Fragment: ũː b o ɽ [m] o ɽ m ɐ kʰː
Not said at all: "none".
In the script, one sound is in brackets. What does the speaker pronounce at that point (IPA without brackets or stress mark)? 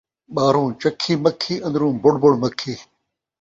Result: b